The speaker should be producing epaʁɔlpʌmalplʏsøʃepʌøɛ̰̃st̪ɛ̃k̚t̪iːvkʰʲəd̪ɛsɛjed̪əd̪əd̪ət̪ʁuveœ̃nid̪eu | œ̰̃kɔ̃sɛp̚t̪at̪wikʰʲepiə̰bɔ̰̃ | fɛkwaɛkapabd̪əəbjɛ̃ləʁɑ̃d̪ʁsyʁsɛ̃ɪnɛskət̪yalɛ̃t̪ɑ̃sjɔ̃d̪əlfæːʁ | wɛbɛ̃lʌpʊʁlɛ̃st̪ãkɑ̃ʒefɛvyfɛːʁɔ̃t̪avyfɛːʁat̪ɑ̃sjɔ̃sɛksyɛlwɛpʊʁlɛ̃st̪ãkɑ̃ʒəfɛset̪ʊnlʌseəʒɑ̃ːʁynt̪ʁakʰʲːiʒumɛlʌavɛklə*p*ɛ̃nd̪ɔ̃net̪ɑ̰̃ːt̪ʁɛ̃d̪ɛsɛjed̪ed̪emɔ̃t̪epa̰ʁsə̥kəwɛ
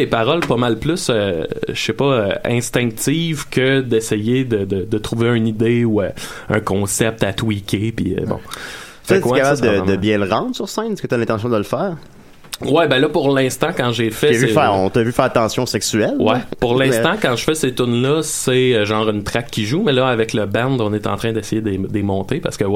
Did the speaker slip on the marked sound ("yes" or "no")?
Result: yes